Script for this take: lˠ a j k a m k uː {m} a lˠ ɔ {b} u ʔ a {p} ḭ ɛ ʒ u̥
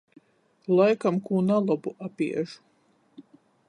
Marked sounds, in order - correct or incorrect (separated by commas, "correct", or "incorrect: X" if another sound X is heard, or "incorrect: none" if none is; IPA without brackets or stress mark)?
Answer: incorrect: n, correct, correct